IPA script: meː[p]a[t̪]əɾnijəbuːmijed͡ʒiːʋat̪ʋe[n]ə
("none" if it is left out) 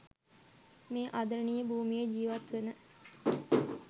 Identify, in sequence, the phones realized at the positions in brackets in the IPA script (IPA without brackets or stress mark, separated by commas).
ʔ, d̪, n